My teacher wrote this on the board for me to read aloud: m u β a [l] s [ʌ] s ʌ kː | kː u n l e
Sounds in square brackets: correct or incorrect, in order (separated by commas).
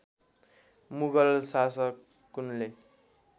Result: correct, incorrect